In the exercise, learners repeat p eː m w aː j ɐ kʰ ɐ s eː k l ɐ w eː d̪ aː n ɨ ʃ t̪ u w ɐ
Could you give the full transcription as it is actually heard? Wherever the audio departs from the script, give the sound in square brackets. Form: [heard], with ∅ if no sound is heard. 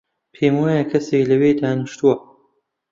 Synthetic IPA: [pʰ] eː m w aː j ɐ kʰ ɐ s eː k l ɐ w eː d̪ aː n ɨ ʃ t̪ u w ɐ

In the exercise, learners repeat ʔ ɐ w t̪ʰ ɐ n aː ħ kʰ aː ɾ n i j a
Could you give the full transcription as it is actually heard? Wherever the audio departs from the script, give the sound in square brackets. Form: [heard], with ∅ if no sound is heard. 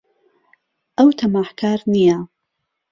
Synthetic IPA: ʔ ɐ w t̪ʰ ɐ [m] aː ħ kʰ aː ɾ n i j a

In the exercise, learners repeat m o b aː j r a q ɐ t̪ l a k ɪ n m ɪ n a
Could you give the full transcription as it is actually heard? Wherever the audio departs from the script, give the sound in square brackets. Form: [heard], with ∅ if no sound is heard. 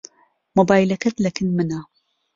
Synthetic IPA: m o b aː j [l] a [k] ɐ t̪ l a k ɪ n m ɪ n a

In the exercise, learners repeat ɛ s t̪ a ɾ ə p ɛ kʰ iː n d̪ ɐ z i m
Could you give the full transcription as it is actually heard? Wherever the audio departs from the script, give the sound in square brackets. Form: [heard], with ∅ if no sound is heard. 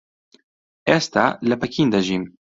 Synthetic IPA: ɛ s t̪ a [l] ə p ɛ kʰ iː n d̪ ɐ [ʒ] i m

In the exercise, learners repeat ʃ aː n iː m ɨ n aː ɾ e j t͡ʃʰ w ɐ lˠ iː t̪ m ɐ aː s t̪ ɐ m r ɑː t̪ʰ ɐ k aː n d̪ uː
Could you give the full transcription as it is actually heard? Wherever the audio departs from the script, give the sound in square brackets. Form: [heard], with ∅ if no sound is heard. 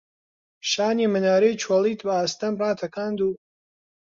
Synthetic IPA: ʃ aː n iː m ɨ n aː ɾ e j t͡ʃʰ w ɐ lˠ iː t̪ [b] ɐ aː s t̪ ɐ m r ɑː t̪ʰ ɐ k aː n d̪ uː

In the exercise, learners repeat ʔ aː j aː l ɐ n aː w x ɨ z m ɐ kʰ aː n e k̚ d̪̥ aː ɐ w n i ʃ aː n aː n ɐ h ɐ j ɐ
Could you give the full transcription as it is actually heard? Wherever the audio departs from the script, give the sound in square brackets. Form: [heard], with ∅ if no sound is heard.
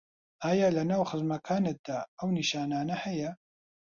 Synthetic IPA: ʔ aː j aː l ɐ n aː w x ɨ z m ɐ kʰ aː n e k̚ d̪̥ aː ɐ w n i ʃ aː n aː n ɐ h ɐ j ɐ

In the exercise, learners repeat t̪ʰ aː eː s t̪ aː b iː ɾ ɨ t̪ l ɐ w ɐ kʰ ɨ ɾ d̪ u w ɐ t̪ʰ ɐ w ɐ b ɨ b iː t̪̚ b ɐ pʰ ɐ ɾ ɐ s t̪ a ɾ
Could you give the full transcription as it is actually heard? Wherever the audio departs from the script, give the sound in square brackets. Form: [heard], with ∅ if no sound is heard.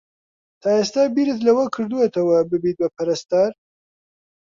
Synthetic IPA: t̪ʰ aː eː s t̪ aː b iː ɾ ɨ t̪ l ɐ w ɐ kʰ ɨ ɾ d̪ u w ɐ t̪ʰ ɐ w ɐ b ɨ b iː t̪̚ b ɐ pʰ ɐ ɾ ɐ s t̪ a ɾ

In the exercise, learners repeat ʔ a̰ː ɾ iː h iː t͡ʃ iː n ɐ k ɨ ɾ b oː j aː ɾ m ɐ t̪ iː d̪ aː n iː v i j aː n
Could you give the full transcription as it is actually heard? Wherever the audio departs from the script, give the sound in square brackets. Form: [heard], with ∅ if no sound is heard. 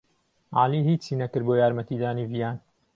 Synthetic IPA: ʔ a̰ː [l] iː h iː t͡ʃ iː n ɐ k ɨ ɾ b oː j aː ɾ m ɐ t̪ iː d̪ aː n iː v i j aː n

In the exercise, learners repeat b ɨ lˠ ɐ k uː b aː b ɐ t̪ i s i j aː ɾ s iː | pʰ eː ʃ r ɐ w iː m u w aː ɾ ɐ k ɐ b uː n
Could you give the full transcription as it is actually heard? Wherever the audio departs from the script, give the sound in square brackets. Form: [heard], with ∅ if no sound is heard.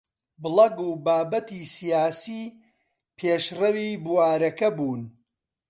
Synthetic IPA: b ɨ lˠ ɐ [ɡ] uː b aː b ɐ t̪ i s i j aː [∅] s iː | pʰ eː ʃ r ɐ w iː [b] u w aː ɾ ɐ k ɐ b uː n

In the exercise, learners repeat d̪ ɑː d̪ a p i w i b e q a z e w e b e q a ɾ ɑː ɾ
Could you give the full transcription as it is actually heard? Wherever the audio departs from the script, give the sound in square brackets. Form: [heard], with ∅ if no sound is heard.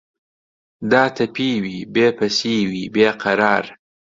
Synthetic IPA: d̪ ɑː [t̪] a p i w i b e [p] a [s] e w [i] b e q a ɾ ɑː ɾ

